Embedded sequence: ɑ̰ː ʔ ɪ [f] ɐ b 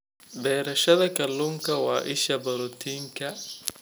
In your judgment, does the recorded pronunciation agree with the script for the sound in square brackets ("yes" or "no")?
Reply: no